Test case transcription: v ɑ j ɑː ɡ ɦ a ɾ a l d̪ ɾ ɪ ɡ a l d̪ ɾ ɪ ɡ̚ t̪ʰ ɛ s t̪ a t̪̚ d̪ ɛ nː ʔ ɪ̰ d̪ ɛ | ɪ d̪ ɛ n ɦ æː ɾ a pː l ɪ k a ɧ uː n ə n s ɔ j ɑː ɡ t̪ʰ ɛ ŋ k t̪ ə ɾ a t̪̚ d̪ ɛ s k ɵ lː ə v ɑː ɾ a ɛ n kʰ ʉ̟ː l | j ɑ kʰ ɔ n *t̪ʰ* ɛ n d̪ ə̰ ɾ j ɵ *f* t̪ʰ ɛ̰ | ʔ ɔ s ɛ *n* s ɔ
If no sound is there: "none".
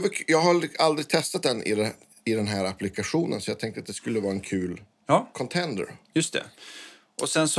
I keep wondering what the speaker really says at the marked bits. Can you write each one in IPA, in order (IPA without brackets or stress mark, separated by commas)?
t̪ʰ, s, n